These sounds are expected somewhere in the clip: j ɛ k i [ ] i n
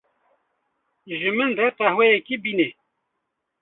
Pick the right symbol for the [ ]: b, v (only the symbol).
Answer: b